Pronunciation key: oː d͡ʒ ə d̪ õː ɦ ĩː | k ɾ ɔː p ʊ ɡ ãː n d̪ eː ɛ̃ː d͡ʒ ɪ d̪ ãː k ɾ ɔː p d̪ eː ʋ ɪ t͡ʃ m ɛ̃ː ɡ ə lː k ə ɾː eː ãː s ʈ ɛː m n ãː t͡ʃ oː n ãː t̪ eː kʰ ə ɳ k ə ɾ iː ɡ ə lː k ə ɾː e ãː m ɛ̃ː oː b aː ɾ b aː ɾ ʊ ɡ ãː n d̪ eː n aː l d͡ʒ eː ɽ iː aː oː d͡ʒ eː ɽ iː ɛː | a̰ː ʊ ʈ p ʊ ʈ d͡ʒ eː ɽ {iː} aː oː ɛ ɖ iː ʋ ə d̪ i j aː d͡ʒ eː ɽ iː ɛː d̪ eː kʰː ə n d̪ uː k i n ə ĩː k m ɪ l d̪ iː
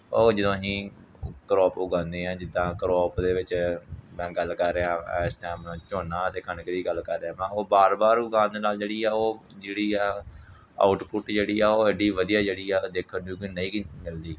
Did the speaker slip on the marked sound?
no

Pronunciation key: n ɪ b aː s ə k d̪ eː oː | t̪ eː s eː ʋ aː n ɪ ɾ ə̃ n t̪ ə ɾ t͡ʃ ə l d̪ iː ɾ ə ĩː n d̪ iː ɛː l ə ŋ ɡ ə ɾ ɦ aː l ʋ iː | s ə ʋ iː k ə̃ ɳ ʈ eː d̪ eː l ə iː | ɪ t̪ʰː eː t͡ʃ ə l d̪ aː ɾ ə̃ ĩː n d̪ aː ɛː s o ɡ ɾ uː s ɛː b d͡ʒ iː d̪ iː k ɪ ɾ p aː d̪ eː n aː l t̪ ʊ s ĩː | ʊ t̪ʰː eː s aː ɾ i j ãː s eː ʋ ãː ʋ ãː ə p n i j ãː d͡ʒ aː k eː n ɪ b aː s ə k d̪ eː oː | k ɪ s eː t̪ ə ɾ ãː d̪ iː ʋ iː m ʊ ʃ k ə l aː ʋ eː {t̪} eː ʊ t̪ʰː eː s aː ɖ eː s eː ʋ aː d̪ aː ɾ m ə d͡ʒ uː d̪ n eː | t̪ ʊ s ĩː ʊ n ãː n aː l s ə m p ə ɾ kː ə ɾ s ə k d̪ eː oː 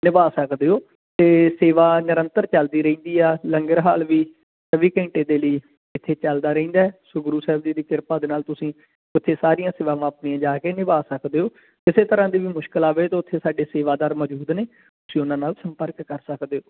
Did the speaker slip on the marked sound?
no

